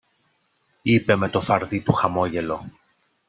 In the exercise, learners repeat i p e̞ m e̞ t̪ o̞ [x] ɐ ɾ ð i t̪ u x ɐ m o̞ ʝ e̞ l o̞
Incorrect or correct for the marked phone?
incorrect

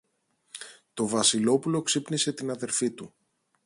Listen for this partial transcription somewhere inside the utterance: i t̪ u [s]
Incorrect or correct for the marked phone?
incorrect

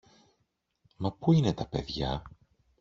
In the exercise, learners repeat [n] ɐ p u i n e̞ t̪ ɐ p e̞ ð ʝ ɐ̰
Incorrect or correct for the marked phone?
incorrect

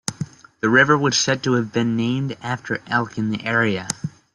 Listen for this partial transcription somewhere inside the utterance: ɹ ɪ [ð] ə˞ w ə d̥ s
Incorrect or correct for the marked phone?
incorrect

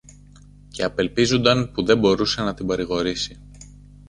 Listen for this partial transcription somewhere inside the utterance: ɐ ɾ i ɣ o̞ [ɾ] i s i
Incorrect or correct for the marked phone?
correct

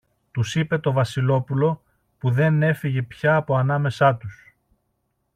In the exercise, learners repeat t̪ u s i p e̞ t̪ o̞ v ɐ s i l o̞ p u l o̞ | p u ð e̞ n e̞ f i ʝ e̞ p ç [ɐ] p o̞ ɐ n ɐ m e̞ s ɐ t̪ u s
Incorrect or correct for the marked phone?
incorrect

